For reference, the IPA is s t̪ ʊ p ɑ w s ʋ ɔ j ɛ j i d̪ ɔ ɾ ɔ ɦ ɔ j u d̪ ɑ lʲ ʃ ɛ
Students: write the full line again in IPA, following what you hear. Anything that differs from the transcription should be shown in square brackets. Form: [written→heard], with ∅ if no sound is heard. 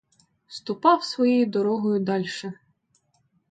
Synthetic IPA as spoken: s t̪ ʊ p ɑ w s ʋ ɔ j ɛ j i d̪ ɔ ɾ ɔ ɦ ɔ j [u→ʊ] d̪ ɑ lʲ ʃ ɛ